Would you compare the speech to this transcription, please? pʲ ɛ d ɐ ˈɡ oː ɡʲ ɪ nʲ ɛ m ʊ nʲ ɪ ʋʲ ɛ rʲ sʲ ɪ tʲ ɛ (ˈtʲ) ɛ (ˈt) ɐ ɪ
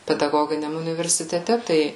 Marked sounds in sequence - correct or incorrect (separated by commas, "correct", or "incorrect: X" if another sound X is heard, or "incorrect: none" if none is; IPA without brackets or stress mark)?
correct, correct